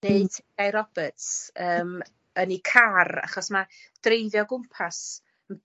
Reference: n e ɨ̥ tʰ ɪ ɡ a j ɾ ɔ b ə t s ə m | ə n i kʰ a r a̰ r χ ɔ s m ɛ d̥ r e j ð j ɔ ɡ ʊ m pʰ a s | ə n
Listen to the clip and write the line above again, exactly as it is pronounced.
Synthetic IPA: n e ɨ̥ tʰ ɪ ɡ a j ɾ ɔ b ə t s əː m | ə n i kʰ a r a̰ χ ɔ s m a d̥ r e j ð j ɔ ɡ ʊ m pʰ a s | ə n

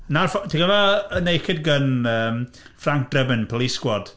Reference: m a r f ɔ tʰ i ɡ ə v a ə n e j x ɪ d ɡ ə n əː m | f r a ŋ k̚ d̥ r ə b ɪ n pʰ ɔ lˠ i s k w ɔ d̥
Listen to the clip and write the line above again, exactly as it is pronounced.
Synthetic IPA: n a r f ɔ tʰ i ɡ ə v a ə n e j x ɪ d ɡ ə n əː m | f r a ŋ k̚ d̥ r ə b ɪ n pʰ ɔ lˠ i s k w ɔ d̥

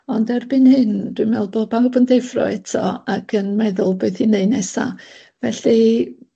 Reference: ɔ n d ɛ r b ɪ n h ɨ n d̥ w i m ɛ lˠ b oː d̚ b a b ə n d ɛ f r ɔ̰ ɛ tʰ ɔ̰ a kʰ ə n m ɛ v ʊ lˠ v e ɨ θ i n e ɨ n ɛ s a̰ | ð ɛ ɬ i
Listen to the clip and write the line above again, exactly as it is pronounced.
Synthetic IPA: ɔ n d ɛ r b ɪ n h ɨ n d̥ w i m ɛ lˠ b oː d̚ b a b ə n d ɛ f r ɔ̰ ɛ tʰ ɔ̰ a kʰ ə n m ɛ ð ʊ lˠ b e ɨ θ i n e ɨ n ɛ s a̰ | v ɛ ɬ i

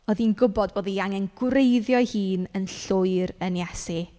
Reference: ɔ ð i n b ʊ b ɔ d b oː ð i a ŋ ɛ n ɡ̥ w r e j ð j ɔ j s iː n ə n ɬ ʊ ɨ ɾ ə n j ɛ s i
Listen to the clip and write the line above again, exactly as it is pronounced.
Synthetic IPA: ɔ ð i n ɡ ʊ b ɔ d b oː ð i a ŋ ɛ n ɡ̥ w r e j ð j ɔ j h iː n ə n ɬ ʊ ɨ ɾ ə n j ɛ s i

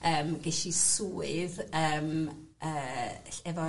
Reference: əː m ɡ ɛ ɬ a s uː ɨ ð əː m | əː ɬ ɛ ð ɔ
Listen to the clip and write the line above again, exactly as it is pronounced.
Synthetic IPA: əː m ɡ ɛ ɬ i s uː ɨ ð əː m | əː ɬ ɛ v ɔ

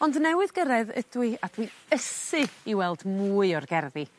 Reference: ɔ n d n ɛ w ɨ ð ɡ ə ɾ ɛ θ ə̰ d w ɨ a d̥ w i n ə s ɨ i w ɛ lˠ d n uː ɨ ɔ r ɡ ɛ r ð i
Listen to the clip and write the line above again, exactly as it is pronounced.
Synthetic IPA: ɔ n d n ɛ w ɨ ð ɡ ə ɾ ɛ ð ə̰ d w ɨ a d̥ w i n ə s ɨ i w ɛ lˠ d m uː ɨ ɔ r ɡ ɛ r ð i

